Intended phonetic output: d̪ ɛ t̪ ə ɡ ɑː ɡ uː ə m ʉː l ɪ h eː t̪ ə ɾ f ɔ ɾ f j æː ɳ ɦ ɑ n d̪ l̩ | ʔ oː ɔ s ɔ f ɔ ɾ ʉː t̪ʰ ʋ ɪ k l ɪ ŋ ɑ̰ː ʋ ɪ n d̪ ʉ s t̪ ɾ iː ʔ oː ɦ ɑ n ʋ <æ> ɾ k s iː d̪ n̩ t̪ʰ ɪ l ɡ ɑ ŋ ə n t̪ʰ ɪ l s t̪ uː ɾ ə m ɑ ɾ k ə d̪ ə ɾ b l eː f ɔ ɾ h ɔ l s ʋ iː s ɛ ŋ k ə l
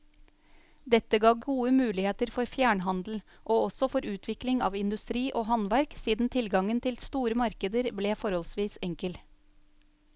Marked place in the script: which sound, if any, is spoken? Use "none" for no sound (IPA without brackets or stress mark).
æ